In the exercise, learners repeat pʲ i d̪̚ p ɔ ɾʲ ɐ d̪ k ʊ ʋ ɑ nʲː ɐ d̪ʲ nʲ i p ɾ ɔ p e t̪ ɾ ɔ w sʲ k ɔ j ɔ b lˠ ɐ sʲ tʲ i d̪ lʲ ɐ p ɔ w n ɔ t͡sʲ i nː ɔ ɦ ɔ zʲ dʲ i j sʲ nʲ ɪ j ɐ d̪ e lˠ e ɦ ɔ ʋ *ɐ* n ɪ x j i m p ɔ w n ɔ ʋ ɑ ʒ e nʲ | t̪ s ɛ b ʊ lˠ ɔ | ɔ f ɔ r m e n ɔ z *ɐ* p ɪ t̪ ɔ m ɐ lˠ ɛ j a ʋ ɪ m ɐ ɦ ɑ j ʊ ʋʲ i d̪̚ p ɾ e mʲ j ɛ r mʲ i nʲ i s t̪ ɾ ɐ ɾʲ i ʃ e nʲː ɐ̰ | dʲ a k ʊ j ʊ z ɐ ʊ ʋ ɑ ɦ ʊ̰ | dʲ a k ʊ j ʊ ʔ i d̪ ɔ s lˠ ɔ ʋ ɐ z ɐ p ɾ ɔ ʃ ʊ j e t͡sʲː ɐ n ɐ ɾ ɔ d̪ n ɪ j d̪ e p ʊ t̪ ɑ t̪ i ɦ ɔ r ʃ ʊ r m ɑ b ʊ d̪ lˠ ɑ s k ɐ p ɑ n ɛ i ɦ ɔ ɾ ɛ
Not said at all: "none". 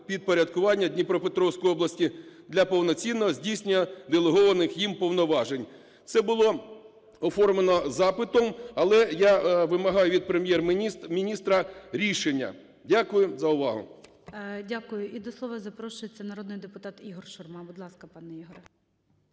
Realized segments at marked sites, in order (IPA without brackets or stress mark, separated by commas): ɐ, ɑ